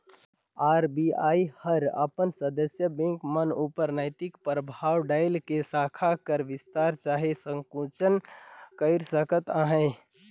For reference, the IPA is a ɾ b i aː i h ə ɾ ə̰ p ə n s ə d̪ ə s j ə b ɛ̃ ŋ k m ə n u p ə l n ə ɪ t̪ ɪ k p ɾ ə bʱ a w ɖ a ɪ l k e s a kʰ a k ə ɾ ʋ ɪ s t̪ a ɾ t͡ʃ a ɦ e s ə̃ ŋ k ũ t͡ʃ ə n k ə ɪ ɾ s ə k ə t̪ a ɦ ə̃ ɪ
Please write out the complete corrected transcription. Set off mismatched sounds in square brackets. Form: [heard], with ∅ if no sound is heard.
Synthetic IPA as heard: a ɾ b i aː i h ə ɾ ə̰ p ə n s ə d̪ ə s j ə b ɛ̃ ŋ k m ə n u p ə [ɾ] n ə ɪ t̪ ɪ k p ɾ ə bʱ a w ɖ a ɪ l k e s a kʰ a k ə ɾ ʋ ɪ s t̪ a ɾ t͡ʃ a ɦ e s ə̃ ŋ k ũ t͡ʃ ə n k ə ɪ ɾ s ə k ə t̪ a ɦ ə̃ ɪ